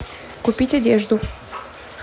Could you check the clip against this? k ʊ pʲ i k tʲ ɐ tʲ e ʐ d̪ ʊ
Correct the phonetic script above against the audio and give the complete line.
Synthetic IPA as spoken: k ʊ pʲ i tʲ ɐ dʲ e ʐ d̪ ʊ